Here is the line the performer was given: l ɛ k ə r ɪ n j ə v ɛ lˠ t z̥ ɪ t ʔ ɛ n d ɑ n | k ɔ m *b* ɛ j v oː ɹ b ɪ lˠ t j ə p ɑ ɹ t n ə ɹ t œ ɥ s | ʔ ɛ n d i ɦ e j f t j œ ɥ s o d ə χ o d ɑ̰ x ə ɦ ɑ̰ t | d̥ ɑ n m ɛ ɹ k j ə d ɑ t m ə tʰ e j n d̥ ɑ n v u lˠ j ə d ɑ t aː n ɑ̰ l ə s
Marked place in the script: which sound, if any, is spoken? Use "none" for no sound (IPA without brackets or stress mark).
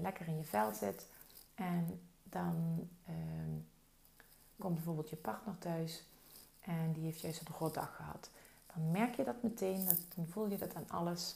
b